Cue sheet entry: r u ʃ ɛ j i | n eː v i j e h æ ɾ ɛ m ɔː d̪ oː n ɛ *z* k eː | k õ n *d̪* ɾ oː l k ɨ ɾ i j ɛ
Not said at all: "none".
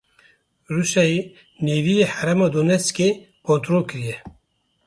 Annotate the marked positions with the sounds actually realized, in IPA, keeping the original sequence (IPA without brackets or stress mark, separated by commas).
s, t̪